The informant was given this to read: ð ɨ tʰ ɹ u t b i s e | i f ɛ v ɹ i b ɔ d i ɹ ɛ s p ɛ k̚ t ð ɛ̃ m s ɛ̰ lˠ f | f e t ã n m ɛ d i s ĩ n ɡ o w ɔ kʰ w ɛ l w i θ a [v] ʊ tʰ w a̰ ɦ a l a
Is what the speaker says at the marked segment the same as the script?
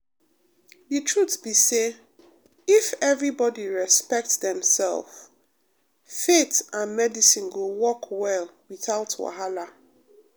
no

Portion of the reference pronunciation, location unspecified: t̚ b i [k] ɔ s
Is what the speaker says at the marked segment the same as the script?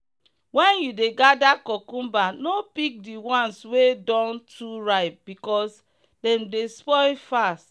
yes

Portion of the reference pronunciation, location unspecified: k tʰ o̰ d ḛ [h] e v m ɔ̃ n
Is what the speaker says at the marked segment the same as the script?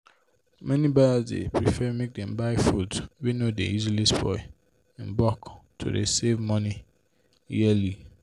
no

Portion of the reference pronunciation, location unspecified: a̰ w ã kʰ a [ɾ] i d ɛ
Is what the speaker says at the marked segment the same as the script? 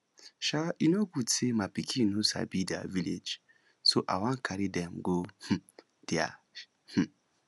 yes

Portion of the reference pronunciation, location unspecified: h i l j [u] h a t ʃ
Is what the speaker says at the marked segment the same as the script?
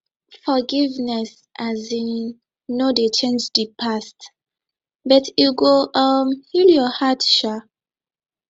no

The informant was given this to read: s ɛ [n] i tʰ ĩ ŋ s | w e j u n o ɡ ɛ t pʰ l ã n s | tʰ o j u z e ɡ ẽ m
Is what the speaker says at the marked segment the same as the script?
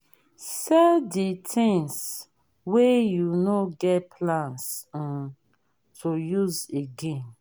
no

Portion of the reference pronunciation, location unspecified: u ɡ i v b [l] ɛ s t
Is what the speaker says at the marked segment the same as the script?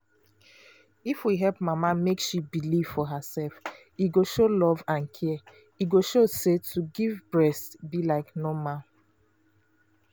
no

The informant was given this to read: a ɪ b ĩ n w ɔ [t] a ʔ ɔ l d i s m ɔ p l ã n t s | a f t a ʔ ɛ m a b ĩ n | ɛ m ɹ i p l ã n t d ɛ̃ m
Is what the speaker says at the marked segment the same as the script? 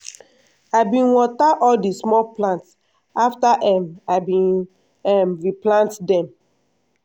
yes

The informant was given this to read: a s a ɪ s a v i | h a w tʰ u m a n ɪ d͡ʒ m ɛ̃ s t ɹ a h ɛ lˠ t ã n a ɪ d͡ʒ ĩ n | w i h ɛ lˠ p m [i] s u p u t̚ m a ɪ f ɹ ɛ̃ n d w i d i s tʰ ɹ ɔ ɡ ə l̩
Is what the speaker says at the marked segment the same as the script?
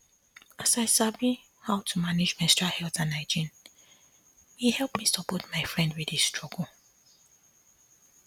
yes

